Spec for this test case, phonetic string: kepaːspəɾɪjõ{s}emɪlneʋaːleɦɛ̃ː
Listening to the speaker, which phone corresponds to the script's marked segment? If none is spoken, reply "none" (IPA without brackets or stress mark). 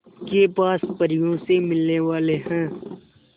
s